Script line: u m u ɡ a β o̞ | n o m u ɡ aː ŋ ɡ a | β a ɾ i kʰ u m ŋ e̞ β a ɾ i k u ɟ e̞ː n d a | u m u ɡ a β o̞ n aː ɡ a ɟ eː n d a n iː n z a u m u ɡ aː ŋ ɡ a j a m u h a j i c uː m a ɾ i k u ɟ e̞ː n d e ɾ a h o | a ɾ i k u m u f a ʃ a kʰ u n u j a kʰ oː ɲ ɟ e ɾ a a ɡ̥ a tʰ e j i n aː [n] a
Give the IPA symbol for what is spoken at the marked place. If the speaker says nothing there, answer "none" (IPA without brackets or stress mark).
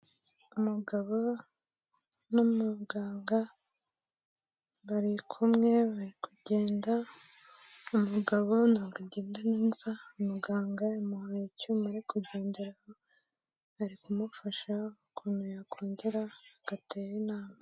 m